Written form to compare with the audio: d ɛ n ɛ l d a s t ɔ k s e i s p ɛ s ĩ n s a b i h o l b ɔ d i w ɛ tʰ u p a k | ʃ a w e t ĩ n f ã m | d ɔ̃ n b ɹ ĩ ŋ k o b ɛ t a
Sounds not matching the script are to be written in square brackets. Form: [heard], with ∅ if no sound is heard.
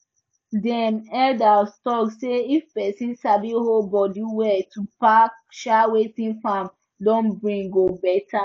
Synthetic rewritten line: d ɛ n ɛ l d a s t ɔ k s e i [f] p ɛ s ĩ n s a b i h o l b ɔ d i w ɛ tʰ u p a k | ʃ a w e t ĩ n f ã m | d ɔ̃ n b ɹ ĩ ŋ [ɡ] o b ɛ t a